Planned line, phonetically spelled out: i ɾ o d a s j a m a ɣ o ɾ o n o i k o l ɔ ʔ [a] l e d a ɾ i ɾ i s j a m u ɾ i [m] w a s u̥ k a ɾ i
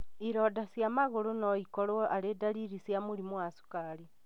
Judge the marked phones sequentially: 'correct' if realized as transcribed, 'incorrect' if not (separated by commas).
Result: correct, correct